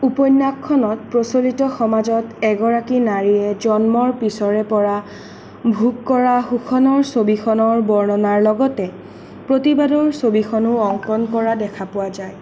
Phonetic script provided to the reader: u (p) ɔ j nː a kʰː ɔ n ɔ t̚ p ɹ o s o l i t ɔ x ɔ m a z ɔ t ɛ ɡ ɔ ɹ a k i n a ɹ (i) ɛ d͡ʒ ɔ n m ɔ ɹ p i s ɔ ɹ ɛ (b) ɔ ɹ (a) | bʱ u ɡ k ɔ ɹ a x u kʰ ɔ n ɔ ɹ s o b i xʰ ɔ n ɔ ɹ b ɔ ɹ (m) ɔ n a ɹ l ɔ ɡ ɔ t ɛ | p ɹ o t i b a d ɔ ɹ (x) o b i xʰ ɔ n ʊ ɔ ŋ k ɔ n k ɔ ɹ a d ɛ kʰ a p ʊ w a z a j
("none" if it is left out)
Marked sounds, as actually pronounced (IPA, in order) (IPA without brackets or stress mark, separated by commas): p, i, p, a, n, s